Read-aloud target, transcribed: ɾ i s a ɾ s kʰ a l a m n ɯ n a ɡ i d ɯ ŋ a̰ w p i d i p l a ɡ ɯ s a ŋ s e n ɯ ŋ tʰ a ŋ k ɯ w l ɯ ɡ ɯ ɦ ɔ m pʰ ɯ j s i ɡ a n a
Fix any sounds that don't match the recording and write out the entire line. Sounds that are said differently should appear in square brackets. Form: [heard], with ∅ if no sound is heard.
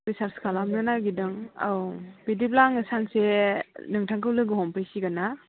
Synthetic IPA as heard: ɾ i s a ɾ s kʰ a l a m n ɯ n a ɡ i d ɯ ŋ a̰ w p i d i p l a [ŋ] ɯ s a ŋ s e n ɯ ŋ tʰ a ŋ k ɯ w l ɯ ɡ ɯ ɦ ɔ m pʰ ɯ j s i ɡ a n a